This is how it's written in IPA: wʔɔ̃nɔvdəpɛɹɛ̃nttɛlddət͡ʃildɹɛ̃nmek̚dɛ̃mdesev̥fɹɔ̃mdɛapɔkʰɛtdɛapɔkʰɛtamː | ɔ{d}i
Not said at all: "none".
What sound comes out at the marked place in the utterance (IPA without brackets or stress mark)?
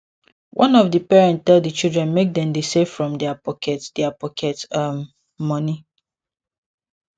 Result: n